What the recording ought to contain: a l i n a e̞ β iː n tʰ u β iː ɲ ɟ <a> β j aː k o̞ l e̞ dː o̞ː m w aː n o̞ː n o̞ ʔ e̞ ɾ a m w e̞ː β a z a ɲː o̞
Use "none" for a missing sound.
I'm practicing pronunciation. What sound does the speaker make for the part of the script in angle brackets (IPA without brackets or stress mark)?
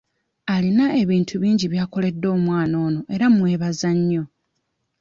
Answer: i